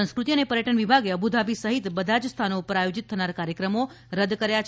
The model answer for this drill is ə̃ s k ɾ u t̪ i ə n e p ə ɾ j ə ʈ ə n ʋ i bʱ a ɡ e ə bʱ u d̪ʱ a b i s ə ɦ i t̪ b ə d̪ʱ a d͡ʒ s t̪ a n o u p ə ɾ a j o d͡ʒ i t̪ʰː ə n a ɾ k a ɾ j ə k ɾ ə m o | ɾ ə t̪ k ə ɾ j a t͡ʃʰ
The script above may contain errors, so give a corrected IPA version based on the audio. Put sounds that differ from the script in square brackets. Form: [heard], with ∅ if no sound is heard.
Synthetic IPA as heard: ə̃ s k ɾ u t̪ i ə n e p ə ɾ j ə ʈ ə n ʋ i bʱ a ɡ e ə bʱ u d̪ʱ a b i s ə ɦ i t̪ b ə d̪ʱ a d͡ʒ s [t̪ʰ] a n o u p ə ɾ a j o d͡ʒ i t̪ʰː ə n a ɾ k a ɾ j ə k ɾ ə m o | ɾ ə [d̪] k ə ɾ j a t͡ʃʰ